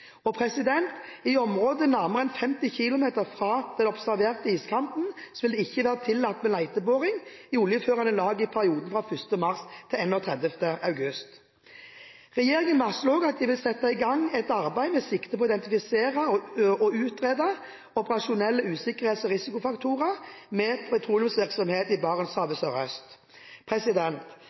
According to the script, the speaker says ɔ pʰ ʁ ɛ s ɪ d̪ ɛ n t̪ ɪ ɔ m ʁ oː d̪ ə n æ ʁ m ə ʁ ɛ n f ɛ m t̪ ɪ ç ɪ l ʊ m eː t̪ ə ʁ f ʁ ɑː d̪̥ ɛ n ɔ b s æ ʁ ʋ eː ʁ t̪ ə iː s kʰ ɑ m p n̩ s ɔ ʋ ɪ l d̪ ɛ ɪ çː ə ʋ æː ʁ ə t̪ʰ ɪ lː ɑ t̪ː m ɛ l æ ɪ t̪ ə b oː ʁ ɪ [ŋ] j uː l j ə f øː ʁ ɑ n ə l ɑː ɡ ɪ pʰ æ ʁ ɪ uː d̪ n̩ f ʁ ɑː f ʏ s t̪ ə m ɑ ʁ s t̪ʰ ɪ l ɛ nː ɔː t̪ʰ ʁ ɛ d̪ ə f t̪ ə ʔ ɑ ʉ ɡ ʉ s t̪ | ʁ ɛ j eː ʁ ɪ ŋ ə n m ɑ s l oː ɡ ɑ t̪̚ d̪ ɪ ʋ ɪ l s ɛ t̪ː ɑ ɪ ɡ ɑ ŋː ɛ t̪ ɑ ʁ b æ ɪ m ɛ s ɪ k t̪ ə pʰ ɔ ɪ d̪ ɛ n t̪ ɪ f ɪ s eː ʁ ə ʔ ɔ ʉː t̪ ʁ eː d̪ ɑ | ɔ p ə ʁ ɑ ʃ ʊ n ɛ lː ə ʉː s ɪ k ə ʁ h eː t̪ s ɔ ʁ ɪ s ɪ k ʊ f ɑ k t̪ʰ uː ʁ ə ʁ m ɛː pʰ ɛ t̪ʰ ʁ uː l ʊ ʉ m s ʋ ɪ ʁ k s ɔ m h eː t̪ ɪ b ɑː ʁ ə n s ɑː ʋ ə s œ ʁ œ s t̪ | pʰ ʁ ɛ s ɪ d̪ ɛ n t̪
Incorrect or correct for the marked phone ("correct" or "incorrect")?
correct